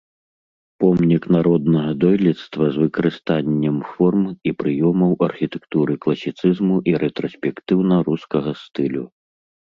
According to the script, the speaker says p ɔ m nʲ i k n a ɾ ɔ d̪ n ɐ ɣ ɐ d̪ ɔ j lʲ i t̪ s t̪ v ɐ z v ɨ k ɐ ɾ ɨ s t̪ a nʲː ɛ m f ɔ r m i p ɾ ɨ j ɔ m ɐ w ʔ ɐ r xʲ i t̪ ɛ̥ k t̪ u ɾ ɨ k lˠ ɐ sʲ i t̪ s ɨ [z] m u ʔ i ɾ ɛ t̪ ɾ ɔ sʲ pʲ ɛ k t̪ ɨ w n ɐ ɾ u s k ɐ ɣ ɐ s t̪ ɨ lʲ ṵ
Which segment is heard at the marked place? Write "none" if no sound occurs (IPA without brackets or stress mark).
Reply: z